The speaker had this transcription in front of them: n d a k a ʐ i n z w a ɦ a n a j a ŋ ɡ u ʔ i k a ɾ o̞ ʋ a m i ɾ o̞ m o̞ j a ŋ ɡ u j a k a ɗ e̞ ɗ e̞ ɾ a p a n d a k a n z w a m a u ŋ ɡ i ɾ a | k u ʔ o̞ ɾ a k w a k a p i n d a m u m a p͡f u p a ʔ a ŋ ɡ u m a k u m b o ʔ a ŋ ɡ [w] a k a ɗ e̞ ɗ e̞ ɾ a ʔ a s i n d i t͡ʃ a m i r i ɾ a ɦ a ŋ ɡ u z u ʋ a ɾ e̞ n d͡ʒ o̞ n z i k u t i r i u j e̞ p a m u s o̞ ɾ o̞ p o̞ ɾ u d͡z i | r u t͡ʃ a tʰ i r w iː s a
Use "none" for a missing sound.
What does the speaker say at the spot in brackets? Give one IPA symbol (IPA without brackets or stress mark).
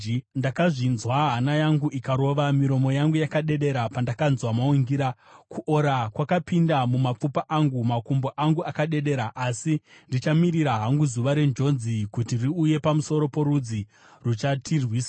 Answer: u